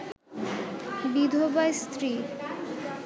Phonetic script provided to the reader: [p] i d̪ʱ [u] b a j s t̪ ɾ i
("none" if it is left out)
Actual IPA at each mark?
b, o

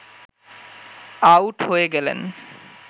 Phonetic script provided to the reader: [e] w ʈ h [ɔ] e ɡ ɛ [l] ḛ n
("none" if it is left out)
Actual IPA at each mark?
a, o, l

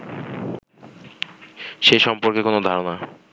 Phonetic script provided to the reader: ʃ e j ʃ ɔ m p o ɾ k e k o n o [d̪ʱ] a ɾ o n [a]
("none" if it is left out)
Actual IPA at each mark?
d̪ʱ, a

